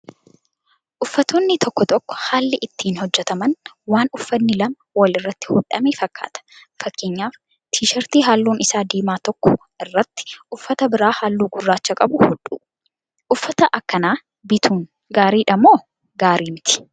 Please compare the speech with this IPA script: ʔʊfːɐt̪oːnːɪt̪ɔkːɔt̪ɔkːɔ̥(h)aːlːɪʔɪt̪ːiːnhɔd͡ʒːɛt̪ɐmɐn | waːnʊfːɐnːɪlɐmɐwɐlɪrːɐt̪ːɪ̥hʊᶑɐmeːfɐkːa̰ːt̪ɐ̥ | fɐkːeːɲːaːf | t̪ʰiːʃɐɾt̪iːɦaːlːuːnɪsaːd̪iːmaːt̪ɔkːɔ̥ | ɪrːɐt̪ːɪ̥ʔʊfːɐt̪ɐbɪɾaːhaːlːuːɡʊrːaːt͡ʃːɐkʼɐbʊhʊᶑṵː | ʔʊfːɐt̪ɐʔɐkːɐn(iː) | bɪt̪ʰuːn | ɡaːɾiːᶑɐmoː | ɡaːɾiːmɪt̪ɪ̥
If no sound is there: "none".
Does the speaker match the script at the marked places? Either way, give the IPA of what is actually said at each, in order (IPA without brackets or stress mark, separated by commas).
h, aː